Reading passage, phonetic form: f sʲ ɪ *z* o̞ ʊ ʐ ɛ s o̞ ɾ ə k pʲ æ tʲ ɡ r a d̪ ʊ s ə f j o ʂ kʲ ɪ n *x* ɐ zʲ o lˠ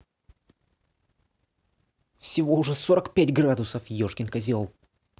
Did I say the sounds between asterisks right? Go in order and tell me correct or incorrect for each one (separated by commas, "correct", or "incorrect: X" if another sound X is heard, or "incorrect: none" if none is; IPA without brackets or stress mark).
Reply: incorrect: v, incorrect: k